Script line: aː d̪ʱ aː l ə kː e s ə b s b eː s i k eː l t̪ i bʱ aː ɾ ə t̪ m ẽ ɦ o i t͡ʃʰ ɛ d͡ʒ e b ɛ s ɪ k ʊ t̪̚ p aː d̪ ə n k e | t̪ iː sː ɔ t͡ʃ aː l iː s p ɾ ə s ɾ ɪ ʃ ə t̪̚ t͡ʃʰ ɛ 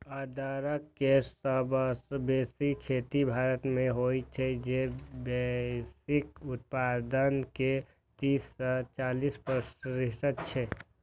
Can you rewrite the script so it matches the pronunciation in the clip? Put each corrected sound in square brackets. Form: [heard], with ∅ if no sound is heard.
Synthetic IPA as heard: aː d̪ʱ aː [ɾ] ə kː e s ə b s b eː s i [kʰ] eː [∅] t̪ i bʱ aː ɾ ə t̪ m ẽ ɦ o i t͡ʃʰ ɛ d͡ʒ e b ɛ s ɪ k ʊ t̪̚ p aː d̪ ə n k e | t̪ iː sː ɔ t͡ʃ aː l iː s p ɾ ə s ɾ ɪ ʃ ə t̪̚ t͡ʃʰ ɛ